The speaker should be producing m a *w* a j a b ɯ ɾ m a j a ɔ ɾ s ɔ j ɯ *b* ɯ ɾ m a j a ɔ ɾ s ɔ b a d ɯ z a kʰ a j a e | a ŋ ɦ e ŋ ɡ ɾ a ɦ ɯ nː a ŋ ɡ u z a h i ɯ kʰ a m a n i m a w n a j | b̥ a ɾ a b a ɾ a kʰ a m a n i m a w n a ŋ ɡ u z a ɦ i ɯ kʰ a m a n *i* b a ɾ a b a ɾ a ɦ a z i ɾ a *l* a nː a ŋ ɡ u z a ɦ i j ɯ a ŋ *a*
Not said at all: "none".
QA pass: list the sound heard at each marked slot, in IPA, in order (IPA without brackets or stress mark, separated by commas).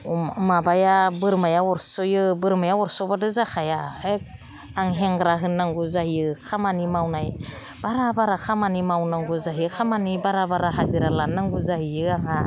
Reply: b, b, i, l, a